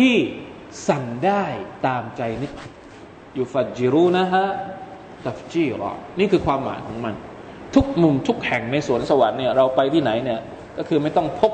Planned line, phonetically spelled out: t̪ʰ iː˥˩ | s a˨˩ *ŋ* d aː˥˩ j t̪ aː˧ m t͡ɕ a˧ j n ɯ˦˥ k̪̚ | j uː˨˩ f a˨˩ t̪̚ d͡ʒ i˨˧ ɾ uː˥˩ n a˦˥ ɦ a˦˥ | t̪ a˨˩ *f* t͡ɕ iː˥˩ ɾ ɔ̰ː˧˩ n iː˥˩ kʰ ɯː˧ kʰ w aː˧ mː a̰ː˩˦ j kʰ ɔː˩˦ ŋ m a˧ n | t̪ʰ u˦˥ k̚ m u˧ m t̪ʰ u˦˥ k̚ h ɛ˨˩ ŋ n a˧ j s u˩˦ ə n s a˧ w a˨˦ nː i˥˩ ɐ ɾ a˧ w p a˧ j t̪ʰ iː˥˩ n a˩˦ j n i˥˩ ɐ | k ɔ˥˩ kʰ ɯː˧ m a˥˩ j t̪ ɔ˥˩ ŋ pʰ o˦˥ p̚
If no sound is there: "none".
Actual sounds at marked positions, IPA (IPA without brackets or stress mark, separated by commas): ŋ, f